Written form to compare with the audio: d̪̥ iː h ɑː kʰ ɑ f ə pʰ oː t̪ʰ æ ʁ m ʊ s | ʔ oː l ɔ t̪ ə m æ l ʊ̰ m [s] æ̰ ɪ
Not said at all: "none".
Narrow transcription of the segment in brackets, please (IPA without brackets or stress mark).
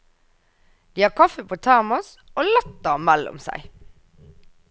s